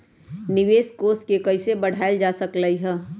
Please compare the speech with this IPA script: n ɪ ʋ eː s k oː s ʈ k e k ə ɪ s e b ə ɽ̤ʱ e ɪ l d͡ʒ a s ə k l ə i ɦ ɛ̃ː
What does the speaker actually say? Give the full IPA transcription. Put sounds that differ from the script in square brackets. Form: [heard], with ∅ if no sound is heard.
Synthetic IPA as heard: n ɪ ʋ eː s k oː s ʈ k e k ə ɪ s e b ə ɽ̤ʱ [a] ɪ l d͡ʒ a s ə k l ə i ɦ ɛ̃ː